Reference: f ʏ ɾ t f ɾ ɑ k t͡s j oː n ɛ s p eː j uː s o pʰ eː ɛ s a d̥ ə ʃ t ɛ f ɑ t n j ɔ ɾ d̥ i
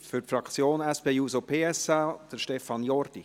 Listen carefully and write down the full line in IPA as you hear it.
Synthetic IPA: f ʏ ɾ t f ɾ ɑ k t͡s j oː n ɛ s p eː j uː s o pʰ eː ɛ s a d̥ ə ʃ t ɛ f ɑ n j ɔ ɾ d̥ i